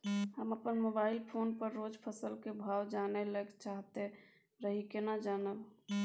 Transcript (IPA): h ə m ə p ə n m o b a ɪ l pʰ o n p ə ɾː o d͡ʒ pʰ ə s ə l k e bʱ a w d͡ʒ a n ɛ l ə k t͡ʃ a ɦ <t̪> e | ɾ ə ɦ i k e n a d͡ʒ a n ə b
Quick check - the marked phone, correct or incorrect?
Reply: correct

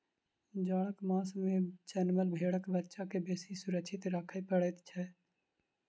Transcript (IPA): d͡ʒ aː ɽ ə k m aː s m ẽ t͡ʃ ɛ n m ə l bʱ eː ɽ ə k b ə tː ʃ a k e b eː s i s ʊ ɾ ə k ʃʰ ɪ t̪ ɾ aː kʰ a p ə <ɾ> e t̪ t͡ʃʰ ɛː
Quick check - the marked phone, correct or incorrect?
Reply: incorrect: ɽ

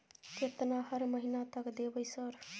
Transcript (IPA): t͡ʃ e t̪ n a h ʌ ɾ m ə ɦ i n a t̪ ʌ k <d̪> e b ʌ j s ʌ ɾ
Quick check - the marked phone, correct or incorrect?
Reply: correct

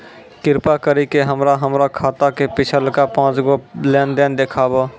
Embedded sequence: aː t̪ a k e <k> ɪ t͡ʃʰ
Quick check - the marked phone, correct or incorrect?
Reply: incorrect: p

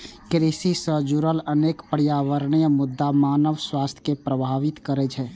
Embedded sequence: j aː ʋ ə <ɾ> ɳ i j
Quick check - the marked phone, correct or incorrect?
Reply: correct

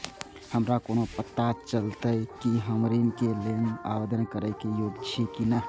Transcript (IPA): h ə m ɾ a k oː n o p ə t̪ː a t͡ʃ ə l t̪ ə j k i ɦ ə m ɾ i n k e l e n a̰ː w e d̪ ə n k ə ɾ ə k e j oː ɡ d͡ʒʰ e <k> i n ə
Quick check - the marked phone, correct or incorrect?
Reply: correct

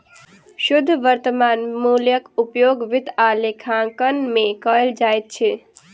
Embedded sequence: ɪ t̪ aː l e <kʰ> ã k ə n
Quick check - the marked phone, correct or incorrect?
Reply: correct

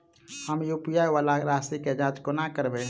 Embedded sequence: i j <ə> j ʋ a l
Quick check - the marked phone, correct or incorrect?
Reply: incorrect: a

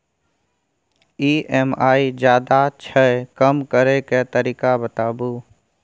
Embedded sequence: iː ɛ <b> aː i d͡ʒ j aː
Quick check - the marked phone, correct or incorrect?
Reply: incorrect: m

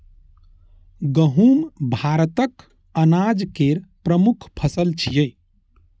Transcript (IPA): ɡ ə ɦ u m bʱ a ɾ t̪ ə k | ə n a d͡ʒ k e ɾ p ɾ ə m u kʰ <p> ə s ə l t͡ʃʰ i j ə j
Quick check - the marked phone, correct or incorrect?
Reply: incorrect: pʰ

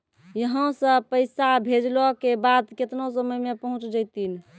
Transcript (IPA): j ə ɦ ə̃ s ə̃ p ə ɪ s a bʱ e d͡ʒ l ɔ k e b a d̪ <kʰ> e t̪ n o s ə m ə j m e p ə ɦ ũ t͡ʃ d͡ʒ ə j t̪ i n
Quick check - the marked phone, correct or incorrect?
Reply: incorrect: k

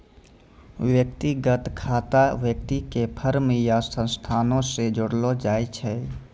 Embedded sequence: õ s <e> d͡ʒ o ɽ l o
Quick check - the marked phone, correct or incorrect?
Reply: correct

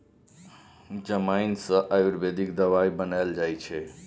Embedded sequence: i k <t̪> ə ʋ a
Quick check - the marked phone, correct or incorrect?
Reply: incorrect: d̪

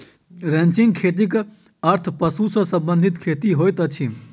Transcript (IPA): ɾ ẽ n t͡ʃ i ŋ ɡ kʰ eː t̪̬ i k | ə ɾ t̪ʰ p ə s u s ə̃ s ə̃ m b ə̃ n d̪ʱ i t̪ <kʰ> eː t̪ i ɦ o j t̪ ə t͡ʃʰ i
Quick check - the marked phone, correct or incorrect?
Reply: correct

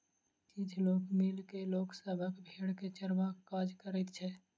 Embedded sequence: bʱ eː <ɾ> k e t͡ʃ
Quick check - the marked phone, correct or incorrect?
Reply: incorrect: ɽ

